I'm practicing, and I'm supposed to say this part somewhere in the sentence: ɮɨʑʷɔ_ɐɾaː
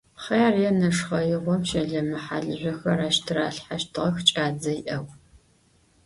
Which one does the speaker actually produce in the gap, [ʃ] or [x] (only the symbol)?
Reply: x